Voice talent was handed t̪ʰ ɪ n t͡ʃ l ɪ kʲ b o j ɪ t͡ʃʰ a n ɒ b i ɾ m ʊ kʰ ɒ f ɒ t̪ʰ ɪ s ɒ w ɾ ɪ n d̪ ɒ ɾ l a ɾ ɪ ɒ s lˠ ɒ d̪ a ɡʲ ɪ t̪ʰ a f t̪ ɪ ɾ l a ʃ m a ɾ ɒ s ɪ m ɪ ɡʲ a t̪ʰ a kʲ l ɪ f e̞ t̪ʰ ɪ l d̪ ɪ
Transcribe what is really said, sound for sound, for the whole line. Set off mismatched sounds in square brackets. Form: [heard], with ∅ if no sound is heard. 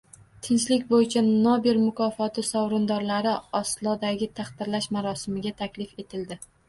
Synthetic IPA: t̪ʰ ɪ n t͡ʃ l ɪ kʲ b o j ɪ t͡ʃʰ a n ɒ b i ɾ m ʊ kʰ ɒ f ɒ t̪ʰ ɪ s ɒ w ɾ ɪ n d̪ ɒ ɾ l a ɾ ɪ ɒ s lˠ ɒ d̪ a ɡʲ ɪ t̪ʰ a [χ] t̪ ɪ ɾ l a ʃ m a ɾ ɒ s ɪ m ɪ ɡʲ a t̪ʰ a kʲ l ɪ f e̞ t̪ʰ ɪ l d̪ ɪ